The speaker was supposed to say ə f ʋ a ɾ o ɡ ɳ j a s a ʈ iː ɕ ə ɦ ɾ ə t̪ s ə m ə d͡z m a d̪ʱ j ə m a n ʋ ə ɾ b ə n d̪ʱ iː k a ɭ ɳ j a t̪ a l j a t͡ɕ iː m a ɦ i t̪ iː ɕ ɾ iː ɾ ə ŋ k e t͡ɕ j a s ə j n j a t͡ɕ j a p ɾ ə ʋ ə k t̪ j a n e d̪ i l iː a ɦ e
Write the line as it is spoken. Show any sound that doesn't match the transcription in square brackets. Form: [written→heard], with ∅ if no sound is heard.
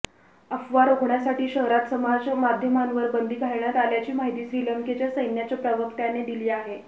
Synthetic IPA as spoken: ə f ʋ a ɾ o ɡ ɳ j a s a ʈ iː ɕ ə ɦ ɾ [ə→a] t̪ s ə m [ə→a] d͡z m a d̪ʱ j ə m a n ʋ ə ɾ b ə n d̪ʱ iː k a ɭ ɳ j a t̪ a l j a t͡ɕ iː m a ɦ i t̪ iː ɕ ɾ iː [ɾ→l] ə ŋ k e t͡ɕ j a s ə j n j a t͡ɕ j a p ɾ ə ʋ ə k t̪ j a n e d̪ i l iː a ɦ e